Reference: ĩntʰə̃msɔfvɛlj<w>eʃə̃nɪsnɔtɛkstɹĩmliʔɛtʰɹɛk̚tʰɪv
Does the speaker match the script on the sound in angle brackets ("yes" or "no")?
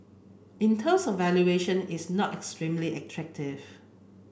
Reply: no